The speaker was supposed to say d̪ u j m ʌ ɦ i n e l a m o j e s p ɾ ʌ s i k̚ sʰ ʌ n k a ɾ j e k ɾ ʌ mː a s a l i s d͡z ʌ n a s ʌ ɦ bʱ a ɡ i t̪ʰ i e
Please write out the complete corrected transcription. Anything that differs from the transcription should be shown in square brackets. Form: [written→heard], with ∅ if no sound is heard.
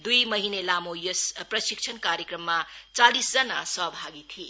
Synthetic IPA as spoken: d̪ u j m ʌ ɦ i n e l a m o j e s p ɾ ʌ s i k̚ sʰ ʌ n k a ɾ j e k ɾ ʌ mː a [s→t͡s] a l i s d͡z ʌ n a s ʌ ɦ bʱ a ɡ i t̪ʰ i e